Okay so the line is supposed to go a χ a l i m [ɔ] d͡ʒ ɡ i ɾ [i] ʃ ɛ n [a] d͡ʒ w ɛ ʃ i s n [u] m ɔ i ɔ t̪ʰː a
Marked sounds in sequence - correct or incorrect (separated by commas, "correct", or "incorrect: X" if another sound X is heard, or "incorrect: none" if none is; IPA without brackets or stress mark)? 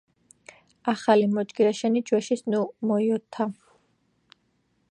correct, incorrect: a, incorrect: i, correct